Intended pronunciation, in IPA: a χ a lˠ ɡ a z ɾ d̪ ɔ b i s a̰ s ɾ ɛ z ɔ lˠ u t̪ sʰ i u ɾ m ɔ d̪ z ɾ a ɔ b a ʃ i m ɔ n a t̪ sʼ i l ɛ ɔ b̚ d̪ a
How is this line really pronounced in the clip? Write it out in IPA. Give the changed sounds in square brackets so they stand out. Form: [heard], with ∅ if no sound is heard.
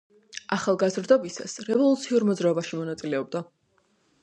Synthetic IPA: a χ a lˠ ɡ a z ɾ d̪ ɔ b i s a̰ s ɾ ɛ [v] ɔ lˠ u t̪ sʰ i u ɾ m ɔ d̪ z ɾ a ɔ b a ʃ i m ɔ n a t̪ sʼ i l ɛ ɔ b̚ d̪ a